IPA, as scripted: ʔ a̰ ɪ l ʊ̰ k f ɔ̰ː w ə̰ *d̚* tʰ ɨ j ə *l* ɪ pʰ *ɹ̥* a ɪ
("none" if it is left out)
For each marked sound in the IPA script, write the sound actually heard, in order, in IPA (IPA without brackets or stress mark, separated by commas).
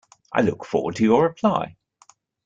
d̚, ɹ, l̥